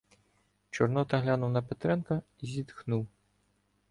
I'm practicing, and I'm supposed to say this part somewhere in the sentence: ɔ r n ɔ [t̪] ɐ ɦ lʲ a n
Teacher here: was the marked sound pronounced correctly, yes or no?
yes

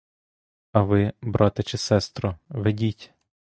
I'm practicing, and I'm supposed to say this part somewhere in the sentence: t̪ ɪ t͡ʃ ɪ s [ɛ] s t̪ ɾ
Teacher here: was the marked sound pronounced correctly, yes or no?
yes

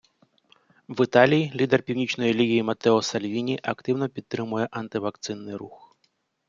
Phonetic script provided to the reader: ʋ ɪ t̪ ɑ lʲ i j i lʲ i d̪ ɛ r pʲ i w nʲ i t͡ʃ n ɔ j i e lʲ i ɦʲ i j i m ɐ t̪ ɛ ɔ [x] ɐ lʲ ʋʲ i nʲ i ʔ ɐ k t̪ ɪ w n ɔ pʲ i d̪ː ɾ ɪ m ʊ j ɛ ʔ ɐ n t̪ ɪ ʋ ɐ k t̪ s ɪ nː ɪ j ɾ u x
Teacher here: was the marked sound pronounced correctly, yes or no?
no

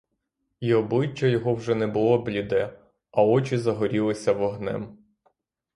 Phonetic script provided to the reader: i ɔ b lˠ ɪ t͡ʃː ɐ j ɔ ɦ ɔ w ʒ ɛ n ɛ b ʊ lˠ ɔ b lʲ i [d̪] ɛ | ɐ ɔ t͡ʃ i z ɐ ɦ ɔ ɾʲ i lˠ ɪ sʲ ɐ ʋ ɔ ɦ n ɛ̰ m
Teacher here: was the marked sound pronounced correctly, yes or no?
yes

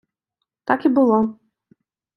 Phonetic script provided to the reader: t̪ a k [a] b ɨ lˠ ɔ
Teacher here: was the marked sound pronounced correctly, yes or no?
no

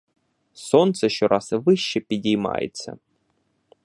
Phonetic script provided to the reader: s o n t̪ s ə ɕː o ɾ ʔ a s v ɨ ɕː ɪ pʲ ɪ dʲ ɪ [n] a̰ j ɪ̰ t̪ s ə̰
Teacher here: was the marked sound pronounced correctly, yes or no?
no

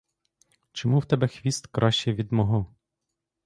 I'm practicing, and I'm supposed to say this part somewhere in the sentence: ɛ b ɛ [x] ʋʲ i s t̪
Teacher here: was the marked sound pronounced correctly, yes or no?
yes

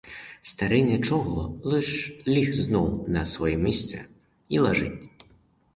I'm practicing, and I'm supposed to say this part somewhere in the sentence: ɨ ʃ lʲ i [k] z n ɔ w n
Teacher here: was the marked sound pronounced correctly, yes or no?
no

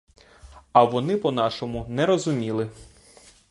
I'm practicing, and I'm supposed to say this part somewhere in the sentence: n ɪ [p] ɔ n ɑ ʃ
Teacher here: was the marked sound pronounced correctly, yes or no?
yes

